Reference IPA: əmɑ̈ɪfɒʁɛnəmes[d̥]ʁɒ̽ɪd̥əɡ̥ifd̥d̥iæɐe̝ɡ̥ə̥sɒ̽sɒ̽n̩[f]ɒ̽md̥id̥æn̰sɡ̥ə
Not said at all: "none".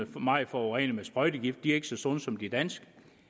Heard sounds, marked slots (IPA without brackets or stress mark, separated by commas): b̥, s